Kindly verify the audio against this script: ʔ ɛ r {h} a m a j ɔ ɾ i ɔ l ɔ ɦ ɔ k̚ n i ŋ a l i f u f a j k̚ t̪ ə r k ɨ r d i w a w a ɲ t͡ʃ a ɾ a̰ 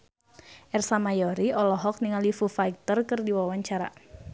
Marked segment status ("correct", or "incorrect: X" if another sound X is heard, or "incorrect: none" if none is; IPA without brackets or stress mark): incorrect: s